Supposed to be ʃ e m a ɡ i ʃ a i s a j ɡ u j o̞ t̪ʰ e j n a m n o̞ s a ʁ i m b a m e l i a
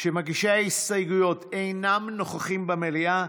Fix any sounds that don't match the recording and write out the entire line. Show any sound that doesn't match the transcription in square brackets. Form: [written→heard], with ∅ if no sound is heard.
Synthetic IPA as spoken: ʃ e m a ɡ i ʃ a i s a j ɡ u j o̞ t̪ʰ e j n a m n o̞ [s→χ] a [ʁ→χ] i m b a m e l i a